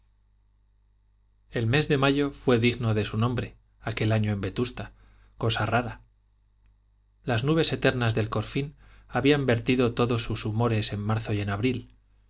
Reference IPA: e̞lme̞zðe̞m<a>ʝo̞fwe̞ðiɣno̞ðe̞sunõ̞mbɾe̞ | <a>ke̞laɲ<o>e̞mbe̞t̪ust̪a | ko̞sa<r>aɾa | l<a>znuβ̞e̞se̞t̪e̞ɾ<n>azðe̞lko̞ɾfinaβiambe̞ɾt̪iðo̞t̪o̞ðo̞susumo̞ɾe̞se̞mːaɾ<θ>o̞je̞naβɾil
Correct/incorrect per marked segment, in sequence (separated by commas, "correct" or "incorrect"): correct, correct, correct, correct, correct, correct, correct